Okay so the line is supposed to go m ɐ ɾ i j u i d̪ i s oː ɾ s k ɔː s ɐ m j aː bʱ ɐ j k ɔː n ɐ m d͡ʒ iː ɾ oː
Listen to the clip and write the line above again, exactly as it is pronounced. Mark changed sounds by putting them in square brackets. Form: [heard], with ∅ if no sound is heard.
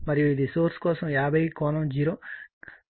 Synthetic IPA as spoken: m ɐ ɾ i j u i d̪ i s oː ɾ s k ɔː s ɐ m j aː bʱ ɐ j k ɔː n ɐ m d͡ʒ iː ɾ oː